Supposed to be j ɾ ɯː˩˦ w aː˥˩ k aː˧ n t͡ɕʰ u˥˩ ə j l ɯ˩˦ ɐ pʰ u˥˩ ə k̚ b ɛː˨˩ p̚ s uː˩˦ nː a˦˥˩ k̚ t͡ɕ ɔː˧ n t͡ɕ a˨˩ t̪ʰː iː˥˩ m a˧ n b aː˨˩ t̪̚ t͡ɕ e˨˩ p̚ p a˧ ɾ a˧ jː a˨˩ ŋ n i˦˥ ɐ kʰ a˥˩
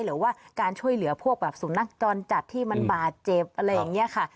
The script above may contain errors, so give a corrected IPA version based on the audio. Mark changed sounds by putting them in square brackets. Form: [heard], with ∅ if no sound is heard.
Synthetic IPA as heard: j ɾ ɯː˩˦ w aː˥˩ k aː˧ n t͡ɕʰ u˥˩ ə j l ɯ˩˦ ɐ pʰ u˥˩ ə k̚ b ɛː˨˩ p̚ s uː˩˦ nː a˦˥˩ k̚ t͡ɕ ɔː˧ n t͡ɕ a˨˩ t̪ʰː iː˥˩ m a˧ n b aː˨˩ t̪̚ t͡ɕ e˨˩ p̚ [ʔ] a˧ ɾ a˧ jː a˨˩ ŋ n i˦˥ ɐ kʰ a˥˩